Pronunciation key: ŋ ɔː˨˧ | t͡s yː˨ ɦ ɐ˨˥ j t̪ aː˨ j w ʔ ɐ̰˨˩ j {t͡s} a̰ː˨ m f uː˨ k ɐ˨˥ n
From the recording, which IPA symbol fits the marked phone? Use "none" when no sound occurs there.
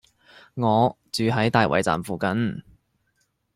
t͡s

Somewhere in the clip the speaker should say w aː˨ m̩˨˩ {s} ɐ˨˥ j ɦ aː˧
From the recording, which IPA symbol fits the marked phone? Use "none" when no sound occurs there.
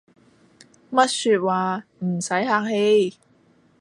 s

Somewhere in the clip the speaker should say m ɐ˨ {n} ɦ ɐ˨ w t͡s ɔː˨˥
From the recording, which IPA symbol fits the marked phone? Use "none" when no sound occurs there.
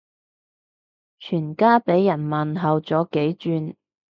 n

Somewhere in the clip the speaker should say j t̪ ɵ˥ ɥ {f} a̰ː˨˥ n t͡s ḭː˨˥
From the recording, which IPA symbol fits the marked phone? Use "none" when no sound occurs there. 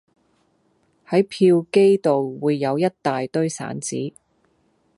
s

